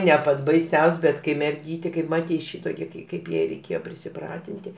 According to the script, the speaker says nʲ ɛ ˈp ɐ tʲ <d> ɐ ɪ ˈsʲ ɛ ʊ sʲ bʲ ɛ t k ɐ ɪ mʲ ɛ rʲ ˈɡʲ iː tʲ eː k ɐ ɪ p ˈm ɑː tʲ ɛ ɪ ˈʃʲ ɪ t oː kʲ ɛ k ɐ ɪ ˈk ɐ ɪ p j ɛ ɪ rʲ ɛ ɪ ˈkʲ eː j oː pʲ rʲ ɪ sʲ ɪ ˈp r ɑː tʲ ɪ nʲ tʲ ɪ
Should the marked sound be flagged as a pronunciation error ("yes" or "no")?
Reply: yes